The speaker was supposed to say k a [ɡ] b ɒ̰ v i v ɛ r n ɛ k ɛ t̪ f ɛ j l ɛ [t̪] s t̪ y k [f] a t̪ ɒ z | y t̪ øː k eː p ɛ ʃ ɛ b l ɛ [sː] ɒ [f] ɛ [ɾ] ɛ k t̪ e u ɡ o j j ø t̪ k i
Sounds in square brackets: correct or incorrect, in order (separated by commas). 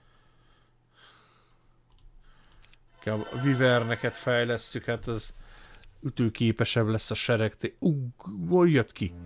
incorrect, incorrect, incorrect, correct, incorrect, correct